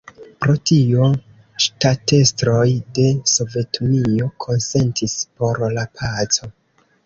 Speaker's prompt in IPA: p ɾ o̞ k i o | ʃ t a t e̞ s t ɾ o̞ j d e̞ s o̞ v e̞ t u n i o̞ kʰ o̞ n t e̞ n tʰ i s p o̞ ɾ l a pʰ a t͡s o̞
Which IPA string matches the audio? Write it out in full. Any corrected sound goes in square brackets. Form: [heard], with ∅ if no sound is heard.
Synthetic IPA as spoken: p ɾ o̞ [t] i o | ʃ t a t e̞ s t ɾ o̞ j d e̞ s o̞ v e̞ t u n i o̞ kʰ o̞ n [s] e̞ n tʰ i s p o̞ ɾ l a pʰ a t͡s o̞